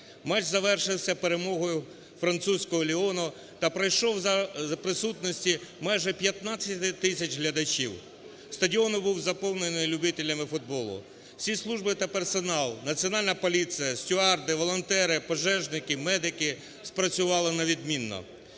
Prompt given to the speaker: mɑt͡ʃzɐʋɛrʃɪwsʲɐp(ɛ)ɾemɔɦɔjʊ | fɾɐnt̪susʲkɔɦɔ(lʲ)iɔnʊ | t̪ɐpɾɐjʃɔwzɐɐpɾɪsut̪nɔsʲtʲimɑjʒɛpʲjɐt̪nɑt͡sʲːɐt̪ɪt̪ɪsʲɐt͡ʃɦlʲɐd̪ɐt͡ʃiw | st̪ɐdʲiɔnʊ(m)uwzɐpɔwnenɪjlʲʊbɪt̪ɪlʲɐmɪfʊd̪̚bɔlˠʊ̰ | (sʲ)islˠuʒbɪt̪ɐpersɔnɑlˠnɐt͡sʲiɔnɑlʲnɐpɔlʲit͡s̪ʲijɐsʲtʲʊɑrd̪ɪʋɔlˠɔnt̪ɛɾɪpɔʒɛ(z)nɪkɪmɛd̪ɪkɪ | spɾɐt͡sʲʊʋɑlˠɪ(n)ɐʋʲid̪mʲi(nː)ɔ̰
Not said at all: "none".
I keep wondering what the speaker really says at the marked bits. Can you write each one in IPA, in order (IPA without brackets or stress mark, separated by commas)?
e, lʲ, b, sʲ, ʒ, n, nː